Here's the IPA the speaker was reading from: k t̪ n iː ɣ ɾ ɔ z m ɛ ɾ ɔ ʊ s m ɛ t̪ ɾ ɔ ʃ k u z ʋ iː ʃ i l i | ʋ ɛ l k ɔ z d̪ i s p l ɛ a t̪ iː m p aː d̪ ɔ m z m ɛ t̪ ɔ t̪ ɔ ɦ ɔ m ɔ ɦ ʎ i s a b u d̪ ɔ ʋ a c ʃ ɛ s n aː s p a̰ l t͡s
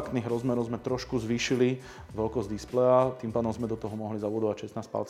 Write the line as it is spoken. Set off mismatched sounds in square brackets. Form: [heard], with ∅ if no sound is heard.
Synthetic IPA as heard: k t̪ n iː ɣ ɾ ɔ z m ɛ ɾ ɔ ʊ [z] m ɛ t̪ ɾ ɔ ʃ k u z ʋ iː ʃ i l i | ʋ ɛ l k ɔ z d̪ i s p l ɛ a t̪ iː m p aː d̪ ɔ m z m ɛ [d̪] ɔ t̪ ɔ ɦ ɔ m ɔ ɦ [l] i [z] a b u d̪ ɔ ʋ a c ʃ ɛ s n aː s p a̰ l t͡s